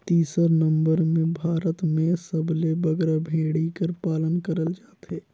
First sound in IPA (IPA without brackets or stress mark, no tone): t̪